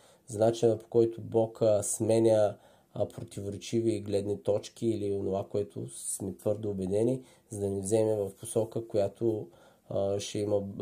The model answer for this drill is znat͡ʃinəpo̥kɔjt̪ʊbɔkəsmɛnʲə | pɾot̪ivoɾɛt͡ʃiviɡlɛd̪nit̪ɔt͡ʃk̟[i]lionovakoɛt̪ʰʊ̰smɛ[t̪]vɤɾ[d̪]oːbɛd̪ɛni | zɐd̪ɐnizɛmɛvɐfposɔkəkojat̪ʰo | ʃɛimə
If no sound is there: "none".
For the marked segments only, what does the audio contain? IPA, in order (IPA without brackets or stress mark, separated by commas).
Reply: iː, t̪, d̪